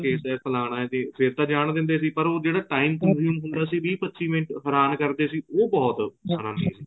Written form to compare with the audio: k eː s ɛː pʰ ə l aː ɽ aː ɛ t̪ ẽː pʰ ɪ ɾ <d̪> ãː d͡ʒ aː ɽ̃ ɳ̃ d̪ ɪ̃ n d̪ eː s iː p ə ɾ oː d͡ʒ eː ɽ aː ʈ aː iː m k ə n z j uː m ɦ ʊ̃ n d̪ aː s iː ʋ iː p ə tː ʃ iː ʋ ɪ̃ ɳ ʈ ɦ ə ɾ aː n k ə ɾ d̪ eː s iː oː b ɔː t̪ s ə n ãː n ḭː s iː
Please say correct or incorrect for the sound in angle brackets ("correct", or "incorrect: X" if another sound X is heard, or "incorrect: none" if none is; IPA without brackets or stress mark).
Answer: incorrect: t̪